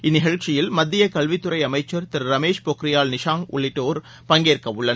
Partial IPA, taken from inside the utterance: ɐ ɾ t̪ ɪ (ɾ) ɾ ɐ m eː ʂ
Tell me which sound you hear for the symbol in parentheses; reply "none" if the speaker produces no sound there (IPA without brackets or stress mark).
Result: ɾ